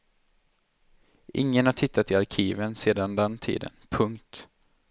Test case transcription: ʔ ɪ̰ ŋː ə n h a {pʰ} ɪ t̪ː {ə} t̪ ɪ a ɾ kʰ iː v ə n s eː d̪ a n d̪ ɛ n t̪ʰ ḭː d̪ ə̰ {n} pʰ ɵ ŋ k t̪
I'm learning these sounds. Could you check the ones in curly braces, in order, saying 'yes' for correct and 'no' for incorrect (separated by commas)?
no, no, yes